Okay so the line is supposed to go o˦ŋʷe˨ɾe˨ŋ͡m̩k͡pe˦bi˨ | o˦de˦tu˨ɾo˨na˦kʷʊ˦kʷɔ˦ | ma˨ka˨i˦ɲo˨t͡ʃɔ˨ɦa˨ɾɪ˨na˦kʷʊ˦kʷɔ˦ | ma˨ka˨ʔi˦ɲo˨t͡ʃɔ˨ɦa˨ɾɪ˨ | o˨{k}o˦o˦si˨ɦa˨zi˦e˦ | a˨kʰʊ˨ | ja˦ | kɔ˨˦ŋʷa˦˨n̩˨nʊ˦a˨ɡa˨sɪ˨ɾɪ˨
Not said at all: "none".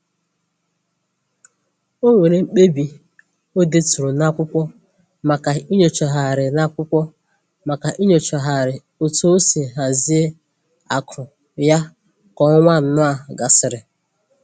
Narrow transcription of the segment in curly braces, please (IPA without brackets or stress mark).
t